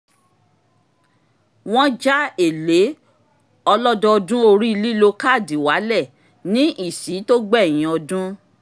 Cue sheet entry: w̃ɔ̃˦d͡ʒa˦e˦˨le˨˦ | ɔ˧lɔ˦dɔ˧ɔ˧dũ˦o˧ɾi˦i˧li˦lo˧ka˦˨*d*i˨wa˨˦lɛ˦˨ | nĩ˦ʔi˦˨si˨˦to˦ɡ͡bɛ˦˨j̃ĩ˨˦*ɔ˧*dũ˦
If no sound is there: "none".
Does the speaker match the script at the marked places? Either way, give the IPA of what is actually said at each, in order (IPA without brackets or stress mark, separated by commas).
d, ɔ˧